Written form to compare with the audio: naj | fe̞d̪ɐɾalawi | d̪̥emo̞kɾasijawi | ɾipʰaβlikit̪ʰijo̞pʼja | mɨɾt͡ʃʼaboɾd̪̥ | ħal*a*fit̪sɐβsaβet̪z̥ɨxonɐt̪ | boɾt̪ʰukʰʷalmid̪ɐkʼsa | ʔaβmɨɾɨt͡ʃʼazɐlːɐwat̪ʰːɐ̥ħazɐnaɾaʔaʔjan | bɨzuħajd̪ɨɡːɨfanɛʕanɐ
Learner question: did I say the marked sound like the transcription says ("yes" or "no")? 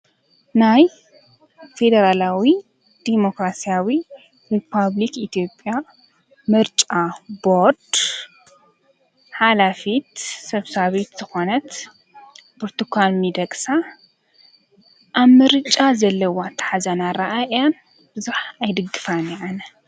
yes